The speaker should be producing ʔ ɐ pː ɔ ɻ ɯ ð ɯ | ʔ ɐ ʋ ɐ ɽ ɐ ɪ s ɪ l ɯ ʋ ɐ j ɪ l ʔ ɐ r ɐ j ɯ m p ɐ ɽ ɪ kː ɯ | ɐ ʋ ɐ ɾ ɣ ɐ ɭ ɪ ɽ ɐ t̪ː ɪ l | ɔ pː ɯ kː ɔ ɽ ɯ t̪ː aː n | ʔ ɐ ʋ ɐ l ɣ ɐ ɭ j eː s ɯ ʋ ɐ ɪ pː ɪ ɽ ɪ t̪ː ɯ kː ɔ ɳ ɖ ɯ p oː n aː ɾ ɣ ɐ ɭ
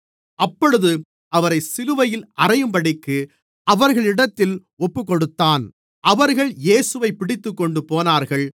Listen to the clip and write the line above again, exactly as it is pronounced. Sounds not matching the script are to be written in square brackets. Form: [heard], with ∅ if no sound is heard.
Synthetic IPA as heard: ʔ ɐ pː ɔ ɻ ɯ ð ɯ | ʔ ɐ ʋ ɐ [ɾ] ɐ ɪ s ɪ l ɯ ʋ ɐ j ɪ l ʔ ɐ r ɐ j ɯ m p ɐ ɽ ɪ kː ɯ | ɐ ʋ ɐ ɾ ɣ ɐ ɭ ɪ ɽ ɐ t̪ː ɪ l | ɔ pː ɯ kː ɔ ɽ ɯ t̪ː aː n | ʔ ɐ ʋ ɐ [ɾ] ɣ ɐ ɭ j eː s ɯ ʋ ɐ ɪ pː ɪ ɽ ɪ t̪ː ɯ kː ɔ ɳ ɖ ɯ p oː n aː ɾ ɣ ɐ ɭ